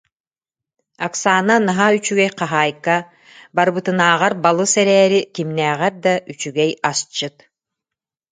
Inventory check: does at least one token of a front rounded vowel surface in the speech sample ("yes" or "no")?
yes